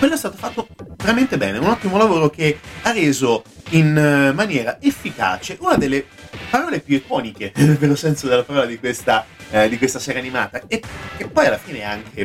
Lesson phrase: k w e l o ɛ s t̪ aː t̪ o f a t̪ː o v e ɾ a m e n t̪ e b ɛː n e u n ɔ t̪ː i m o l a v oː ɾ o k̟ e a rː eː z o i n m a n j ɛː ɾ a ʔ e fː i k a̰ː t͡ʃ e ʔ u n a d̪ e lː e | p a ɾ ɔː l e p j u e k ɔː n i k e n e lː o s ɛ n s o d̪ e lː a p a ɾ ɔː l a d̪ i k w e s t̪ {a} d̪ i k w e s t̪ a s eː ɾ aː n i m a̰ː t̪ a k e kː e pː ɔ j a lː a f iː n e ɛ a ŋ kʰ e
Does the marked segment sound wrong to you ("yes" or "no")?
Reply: no